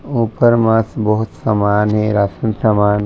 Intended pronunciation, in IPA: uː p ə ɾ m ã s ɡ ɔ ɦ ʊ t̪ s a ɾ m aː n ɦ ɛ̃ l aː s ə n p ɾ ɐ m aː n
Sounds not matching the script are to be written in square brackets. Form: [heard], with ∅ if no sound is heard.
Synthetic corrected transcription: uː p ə ɾ m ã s [b] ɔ ɦ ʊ t̪ s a [∅] m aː n ɦ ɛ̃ [ɾ] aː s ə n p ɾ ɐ m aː n